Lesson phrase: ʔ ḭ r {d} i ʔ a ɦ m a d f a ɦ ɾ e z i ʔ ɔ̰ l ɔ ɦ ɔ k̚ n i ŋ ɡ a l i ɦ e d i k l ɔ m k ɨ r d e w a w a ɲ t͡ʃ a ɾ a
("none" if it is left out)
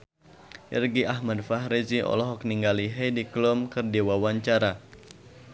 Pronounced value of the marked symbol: ɡ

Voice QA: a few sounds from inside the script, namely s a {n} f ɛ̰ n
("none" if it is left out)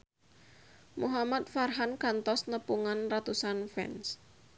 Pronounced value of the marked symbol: n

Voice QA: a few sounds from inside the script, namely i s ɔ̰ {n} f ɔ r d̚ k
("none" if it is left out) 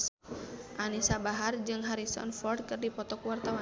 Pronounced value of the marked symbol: n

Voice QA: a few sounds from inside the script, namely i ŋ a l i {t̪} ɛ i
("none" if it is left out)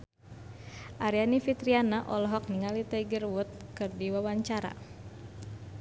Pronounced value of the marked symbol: t̪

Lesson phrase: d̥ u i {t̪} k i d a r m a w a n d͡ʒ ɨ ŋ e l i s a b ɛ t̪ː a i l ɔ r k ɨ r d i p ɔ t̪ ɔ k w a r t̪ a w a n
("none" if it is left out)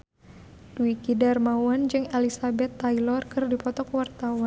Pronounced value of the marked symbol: none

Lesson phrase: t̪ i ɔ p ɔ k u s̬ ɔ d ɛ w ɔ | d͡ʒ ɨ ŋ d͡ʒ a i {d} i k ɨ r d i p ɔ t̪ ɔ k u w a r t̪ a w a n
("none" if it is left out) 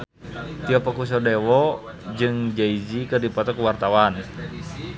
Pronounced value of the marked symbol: d͡ʒ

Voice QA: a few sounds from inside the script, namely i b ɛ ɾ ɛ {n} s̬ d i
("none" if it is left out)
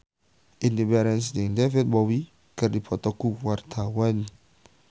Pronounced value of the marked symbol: n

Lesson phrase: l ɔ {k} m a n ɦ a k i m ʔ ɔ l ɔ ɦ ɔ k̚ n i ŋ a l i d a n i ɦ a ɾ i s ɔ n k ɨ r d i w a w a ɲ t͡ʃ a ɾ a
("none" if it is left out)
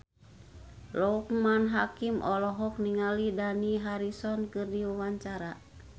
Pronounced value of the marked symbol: k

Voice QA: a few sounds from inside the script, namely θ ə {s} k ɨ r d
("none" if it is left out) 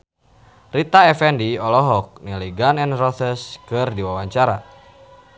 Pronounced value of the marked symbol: s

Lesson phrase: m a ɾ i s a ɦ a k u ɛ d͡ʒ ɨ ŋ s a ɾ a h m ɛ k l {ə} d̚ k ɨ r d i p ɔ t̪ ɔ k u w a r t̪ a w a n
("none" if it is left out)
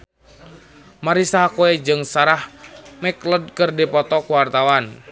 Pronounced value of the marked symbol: ə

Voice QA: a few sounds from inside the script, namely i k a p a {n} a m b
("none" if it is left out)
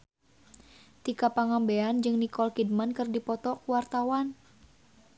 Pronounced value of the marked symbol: ŋ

